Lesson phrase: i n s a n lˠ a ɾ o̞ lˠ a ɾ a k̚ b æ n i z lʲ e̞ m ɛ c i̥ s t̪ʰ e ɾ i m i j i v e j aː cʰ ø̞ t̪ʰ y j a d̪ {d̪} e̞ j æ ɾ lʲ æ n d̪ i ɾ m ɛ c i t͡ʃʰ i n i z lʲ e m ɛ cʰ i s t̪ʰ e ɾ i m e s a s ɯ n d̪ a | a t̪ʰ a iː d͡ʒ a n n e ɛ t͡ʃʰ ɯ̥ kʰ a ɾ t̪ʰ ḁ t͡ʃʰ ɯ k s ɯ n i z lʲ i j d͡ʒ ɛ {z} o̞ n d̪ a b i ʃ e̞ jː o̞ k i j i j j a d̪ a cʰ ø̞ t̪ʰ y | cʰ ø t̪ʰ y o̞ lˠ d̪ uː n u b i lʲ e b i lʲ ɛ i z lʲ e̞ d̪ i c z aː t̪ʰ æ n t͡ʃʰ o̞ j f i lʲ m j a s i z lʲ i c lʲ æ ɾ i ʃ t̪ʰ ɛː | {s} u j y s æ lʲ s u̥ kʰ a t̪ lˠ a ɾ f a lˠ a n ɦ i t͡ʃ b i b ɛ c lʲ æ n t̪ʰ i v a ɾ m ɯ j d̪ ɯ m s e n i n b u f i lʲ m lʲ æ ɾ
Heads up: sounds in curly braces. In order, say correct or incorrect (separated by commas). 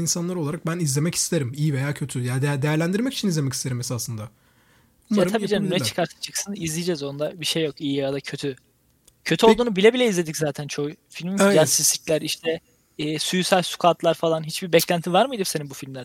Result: correct, correct, correct